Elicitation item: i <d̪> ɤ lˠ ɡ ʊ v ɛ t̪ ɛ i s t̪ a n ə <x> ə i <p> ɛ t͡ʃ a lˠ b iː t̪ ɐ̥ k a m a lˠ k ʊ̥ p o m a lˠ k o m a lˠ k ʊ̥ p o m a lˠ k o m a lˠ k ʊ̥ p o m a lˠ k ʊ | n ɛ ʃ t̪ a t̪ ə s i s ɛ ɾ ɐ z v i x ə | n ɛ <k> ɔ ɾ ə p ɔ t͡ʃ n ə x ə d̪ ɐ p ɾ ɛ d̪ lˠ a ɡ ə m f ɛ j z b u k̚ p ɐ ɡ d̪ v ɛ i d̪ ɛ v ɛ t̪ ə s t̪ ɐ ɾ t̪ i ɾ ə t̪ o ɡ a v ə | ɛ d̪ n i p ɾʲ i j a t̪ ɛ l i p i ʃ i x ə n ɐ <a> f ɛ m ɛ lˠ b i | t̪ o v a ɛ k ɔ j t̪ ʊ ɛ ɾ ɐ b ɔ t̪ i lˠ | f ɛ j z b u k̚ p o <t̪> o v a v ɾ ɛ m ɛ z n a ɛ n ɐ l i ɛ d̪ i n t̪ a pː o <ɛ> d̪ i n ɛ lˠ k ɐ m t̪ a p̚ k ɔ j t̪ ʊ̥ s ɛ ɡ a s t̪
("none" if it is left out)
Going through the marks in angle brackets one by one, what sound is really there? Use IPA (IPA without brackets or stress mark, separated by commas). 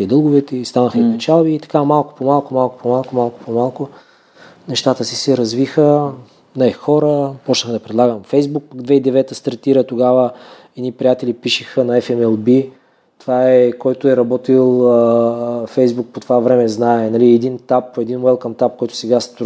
d̪, x, p, x, ɛ, t̪, ɛ